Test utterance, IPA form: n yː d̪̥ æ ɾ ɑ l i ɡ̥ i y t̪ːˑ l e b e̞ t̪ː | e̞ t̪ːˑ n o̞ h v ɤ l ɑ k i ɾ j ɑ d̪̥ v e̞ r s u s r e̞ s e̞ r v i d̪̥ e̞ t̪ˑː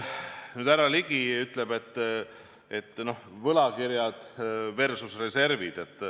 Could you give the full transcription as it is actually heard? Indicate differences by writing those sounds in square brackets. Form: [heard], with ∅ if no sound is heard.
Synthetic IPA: n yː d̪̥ æ ɾ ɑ l i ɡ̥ i y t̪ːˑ l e b e̞ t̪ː | e̞ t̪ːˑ n o̞ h v ɤ l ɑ k i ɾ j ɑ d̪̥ v e̞ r s u s r e̞ s e̞ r v i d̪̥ e̞ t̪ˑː